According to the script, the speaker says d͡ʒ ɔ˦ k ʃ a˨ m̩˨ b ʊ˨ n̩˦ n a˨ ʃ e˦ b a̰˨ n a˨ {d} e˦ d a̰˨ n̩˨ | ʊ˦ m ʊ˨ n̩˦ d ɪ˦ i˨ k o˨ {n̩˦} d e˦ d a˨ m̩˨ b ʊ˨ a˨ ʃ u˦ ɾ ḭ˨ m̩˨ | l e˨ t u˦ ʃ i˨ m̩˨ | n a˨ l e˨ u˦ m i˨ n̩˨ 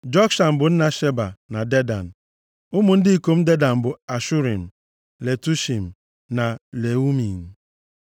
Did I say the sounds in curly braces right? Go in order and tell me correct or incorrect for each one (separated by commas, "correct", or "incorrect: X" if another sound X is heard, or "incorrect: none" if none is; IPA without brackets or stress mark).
correct, incorrect: m̩˦